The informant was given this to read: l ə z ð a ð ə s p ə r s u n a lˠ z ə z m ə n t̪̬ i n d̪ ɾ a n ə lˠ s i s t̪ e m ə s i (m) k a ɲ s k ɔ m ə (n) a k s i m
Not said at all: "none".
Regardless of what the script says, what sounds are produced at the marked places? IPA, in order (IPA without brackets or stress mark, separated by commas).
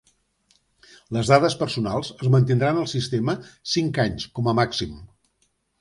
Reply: ŋ, m